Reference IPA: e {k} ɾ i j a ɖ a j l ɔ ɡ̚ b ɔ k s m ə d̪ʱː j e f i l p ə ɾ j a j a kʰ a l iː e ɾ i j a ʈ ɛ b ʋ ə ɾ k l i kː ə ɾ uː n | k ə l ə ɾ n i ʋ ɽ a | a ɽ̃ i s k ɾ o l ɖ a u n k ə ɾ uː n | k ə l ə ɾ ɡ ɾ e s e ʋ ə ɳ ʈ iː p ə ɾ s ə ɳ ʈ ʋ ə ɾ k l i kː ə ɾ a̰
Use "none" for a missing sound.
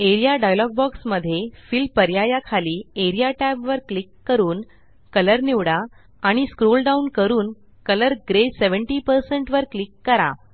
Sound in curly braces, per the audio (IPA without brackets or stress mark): none